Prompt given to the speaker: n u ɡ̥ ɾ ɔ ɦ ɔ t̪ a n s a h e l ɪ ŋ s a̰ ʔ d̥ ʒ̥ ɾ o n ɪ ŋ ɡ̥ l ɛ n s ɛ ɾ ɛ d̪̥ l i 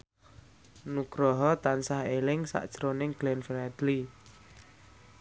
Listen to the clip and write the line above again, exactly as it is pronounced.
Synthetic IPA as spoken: n u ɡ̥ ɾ ɔ ɦ ɔ t̪ a n s a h e l ɪ ŋ s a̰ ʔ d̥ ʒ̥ ɾ o n ɪ ŋ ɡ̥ l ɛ n f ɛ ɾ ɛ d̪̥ l i

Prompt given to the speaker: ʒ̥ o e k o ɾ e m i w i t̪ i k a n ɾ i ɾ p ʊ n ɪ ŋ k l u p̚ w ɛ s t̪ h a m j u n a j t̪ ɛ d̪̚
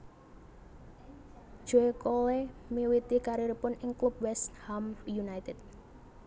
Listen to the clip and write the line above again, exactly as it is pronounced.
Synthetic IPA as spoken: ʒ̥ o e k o l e m i w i t̪ i k a ɾ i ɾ p ʊ n ɪ ŋ k l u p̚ w ɛ s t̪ h a m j u n a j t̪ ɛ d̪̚

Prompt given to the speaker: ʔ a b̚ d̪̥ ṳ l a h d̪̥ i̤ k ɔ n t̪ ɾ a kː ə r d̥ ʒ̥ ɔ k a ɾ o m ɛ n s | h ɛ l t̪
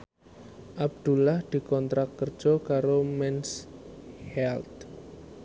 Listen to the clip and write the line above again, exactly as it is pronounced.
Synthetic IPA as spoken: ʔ a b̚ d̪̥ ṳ l a h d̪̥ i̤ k ɔ n t̪ ɾ a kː ə r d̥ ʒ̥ ɔ k a ɾ o m ɛ n s | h ɛ l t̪

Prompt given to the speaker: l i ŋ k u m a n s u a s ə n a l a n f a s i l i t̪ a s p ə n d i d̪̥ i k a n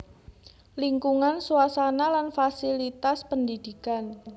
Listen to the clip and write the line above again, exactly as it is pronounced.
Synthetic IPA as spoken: l i ŋ k u ŋ a n s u a s a n a l a n f a s i l i t̪ a s p ə n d i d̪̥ i k a n

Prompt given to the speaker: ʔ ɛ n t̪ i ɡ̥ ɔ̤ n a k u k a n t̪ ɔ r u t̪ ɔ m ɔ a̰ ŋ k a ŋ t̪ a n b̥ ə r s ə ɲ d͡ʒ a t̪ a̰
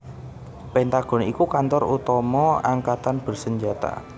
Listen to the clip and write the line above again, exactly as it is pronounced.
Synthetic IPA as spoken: p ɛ n t̪ a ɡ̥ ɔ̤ n i k u k a n t̪ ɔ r u t̪ ɔ m ɔ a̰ ŋ k a t̪ a n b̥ ə r s ə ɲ d͡ʒ a t̪ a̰

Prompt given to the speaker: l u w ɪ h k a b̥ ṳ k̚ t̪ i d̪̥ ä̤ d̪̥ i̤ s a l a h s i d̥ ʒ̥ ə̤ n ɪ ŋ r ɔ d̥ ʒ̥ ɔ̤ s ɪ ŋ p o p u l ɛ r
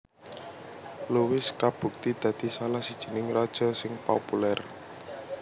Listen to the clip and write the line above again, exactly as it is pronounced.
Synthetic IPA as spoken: l u w ɪ s k a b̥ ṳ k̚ t̪ i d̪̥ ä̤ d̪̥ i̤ s a l a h s i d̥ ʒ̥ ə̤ n ɪ ŋ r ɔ d̥ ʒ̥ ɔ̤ s ɪ ŋ p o p u l ɛ r

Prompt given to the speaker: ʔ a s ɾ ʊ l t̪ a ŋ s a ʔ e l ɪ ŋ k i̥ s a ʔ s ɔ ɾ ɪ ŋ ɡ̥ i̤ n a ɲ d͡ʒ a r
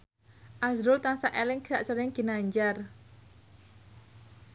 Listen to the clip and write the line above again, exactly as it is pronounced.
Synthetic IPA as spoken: ʔ a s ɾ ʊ l t̪ a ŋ s a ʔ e l ɪ ŋ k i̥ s a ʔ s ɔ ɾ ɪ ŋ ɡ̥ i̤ n a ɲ d͡ʒ a r

